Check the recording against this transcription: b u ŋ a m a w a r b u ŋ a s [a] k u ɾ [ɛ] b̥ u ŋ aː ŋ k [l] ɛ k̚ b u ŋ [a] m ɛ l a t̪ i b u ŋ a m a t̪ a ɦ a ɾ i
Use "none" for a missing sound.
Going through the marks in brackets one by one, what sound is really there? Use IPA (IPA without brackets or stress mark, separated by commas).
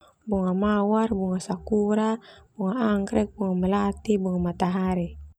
a, a, ɾ, a